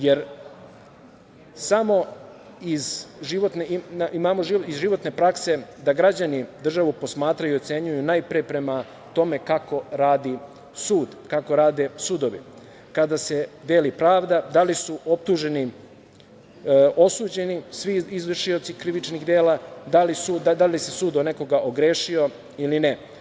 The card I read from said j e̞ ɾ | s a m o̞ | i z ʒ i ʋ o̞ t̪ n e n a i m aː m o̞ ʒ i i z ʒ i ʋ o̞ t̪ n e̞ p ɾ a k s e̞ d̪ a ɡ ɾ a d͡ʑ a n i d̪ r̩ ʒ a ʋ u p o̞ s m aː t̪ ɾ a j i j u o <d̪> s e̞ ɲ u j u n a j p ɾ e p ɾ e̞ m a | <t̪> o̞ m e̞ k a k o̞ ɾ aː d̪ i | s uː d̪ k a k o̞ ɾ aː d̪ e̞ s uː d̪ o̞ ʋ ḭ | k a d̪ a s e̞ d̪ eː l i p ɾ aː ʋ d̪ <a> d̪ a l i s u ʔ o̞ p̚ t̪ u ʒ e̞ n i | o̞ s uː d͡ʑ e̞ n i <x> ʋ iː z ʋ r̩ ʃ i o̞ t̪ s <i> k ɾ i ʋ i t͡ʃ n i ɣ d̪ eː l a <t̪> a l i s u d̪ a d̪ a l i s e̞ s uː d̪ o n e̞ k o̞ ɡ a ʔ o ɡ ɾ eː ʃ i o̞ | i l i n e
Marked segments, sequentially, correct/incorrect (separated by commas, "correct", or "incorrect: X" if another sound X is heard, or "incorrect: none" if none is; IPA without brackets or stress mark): incorrect: t̪, correct, correct, incorrect: s, correct, incorrect: d̪